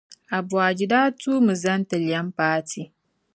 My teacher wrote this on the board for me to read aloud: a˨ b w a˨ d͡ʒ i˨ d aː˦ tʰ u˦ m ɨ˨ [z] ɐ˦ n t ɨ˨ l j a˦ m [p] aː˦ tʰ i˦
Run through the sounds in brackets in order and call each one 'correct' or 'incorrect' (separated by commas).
correct, correct